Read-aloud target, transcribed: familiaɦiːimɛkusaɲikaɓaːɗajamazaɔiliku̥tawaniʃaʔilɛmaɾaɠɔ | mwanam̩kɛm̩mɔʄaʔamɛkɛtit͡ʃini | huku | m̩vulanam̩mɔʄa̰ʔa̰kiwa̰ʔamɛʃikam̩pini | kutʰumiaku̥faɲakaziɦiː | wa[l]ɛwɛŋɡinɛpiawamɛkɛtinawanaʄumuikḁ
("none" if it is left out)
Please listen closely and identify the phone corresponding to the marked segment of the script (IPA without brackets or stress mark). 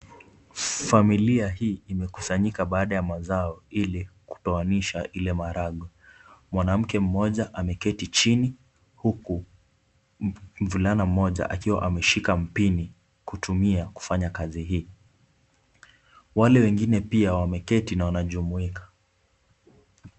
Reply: l